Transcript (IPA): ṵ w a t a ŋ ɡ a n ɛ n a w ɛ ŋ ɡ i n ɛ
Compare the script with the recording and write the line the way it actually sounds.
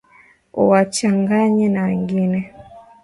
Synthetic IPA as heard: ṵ w a t͡ʃ a ŋ ɡ a ɲ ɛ n a w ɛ ŋ ɡ i n ɛ